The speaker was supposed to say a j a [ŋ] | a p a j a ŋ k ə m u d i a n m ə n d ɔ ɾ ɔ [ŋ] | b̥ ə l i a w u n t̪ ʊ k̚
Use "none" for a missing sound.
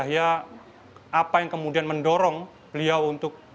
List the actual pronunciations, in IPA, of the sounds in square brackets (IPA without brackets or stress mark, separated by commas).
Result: none, ŋ